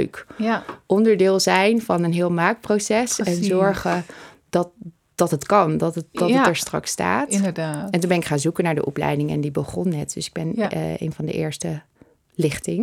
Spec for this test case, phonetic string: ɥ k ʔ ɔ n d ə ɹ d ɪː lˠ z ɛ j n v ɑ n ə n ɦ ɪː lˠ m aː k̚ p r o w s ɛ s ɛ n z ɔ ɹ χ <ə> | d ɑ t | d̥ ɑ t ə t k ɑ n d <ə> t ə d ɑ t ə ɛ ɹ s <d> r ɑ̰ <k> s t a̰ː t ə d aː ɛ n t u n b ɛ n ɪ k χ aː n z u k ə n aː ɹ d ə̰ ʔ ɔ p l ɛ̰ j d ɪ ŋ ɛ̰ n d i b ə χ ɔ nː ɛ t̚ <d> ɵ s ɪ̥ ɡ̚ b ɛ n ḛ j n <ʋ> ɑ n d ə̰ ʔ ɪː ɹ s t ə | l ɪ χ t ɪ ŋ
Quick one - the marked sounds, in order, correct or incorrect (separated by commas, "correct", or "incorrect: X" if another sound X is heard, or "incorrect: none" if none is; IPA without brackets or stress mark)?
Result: correct, incorrect: ɑ, incorrect: t, correct, correct, incorrect: v